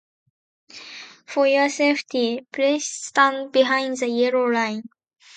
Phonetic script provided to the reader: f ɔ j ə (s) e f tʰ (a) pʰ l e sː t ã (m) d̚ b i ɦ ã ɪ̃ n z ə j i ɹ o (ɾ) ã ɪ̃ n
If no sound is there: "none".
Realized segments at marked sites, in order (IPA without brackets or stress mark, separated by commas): s, i, n, l